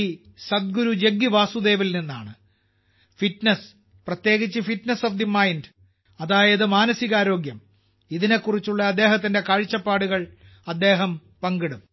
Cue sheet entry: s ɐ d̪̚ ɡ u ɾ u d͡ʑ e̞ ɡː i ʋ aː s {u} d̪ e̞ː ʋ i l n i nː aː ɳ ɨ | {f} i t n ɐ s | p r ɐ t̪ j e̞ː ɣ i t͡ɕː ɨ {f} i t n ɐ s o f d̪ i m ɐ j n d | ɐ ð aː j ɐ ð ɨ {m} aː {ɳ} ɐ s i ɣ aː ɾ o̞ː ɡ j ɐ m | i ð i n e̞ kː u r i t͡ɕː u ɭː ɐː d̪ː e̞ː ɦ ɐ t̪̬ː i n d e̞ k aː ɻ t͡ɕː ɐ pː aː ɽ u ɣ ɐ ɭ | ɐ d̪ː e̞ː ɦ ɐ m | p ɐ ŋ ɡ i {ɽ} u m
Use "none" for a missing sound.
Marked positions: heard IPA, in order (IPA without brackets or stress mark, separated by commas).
u, f, f, m, n, ɽ